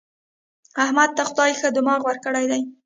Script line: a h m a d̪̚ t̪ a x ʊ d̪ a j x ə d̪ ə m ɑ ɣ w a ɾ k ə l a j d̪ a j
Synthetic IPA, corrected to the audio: a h m a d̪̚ t̪ a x ʊ d̪ ɑ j x ə d̪ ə m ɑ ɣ w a ɾ k ə ɽ a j d̪ a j